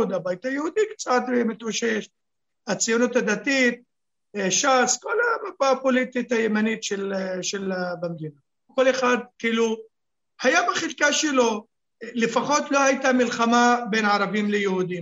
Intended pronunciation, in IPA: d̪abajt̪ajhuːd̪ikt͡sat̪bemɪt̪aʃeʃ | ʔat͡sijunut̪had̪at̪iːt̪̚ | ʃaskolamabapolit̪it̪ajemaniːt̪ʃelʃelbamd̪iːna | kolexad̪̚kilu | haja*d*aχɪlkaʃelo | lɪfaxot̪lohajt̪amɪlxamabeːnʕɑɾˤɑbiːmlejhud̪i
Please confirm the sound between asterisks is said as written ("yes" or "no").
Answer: no